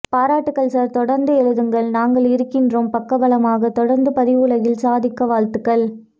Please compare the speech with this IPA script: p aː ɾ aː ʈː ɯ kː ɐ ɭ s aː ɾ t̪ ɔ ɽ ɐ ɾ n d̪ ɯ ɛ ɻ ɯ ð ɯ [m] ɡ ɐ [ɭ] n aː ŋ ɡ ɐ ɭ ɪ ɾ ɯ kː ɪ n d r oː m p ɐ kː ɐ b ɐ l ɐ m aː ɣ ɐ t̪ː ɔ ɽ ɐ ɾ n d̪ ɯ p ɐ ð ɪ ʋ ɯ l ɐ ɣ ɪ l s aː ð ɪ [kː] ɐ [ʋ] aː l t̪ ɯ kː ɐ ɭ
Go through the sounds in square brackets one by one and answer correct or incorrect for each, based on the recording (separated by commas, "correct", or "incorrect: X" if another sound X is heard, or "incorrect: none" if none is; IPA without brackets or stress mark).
incorrect: ŋ, correct, correct, correct